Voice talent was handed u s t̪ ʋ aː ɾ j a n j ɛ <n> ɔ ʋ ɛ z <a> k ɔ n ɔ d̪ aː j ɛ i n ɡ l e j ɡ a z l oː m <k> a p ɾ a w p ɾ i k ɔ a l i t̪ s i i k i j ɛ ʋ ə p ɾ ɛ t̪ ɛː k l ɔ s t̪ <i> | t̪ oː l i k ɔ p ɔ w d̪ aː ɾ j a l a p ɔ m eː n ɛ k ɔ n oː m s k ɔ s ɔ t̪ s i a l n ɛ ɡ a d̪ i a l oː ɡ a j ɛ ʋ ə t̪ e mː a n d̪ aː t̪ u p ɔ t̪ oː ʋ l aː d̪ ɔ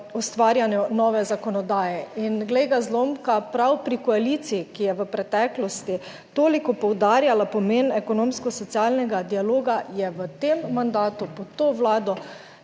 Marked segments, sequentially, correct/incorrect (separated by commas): correct, correct, correct, correct